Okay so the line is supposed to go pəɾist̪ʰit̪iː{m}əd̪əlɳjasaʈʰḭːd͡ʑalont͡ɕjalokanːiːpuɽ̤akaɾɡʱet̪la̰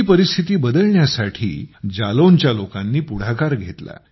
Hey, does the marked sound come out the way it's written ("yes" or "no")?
no